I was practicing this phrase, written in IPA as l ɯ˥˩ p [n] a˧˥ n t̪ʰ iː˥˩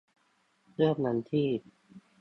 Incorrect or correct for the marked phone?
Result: correct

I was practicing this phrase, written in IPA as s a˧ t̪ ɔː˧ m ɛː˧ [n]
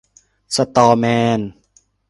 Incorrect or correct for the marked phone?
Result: correct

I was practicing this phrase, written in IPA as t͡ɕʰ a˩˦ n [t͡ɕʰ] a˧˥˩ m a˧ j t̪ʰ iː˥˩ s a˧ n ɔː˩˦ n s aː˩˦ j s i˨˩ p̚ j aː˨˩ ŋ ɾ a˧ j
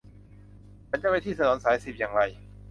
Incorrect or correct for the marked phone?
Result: incorrect: t͡ɕ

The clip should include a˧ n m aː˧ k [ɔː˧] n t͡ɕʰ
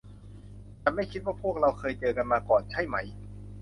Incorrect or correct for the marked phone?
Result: incorrect: ɔː˨˩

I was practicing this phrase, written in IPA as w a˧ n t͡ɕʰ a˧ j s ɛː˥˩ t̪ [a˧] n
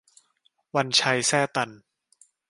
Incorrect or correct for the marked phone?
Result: correct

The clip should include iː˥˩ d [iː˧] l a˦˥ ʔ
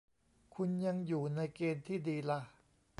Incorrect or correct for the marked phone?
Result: correct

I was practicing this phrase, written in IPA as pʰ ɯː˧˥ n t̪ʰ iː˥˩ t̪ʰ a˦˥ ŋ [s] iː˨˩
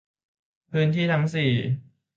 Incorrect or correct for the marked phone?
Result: correct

